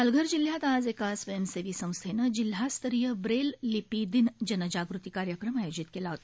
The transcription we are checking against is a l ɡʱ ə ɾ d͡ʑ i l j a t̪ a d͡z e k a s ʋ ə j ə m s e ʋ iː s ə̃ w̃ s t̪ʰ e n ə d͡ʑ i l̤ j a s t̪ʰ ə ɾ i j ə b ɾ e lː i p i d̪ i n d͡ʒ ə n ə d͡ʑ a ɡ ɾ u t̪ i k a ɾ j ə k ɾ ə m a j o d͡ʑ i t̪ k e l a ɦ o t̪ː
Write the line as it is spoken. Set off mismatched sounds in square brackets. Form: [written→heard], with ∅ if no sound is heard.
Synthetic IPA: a l ɡʱ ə ɾ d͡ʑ i l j a t̪ a d͡z e k a s ʋ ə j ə m s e ʋ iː s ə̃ w̃ s t̪ʰ e n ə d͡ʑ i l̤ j a s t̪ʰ ə ɾ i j ə b ɾ e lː i p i d̪ i n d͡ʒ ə n ə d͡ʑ a ɡ ɾ u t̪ i k a ɾ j ə k ɾ ə m a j o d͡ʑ i t̪ k e l a ɦ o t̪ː